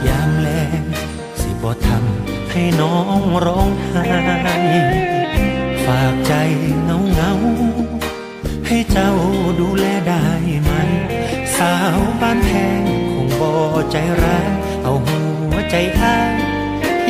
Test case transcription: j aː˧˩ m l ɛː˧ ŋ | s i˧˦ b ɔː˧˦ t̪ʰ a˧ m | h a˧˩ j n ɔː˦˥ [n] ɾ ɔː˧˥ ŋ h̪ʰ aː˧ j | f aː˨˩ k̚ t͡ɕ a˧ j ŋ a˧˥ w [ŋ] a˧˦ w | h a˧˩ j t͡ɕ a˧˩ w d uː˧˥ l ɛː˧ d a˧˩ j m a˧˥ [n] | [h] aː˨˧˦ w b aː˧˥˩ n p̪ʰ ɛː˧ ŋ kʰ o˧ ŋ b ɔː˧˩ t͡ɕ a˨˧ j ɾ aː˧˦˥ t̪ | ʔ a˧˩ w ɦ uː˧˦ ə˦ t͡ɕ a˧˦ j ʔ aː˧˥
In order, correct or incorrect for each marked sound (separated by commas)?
incorrect, correct, correct, incorrect